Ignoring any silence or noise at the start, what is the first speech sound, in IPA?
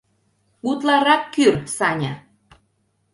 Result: u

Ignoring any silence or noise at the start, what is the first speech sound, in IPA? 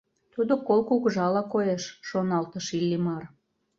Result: t̪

